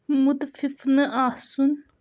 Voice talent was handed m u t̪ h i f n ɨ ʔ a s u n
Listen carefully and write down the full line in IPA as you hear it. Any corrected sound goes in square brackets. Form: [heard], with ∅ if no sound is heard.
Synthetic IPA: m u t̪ [f] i f n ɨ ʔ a s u n